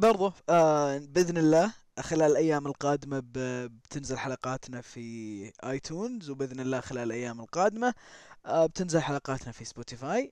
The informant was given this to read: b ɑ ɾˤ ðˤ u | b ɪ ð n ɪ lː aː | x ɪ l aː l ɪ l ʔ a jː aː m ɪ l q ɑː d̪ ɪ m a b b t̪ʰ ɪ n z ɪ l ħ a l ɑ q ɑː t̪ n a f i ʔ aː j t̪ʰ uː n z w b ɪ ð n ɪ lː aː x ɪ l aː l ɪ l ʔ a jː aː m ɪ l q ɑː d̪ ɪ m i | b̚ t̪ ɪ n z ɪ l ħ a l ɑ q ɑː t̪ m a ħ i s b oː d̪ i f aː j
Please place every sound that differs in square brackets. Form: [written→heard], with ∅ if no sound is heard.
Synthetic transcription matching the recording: b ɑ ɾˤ ðˤ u | b ɪ ð n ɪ lː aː | x ɪ l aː l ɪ l ʔ a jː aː m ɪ l q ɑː d̪ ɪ m a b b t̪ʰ ɪ n z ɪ l ħ a l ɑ q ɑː t̪ n a f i ʔ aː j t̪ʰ uː n z w b ɪ ð n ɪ lː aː x ɪ l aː l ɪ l ʔ a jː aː m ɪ l q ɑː d̪ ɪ m [i→a] | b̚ t̪ ɪ n z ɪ l ħ a l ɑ q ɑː t̪ [m→n] a [ħ→f] i s b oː [d̪→t̪] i f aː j